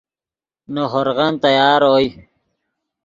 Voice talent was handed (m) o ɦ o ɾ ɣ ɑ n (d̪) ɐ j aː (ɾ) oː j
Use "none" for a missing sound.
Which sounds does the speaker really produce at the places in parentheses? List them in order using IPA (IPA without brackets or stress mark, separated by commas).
n, t̪, ɾ